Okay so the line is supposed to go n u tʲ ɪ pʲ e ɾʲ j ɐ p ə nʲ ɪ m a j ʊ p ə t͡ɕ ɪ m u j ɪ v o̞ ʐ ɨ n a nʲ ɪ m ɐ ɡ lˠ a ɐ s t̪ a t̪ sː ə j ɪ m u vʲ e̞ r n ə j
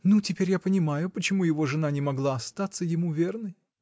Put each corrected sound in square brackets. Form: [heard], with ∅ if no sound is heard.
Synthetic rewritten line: n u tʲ ɪ pʲ e ɾʲ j [a] p ə nʲ ɪ m a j ʊ p ə t͡ɕ ɪ m u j ɪ v o̞ ʐ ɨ n a nʲ ɪ m ɐ ɡ lˠ a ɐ s t̪ a t̪ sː ə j ɪ m u vʲ e̞ r n ə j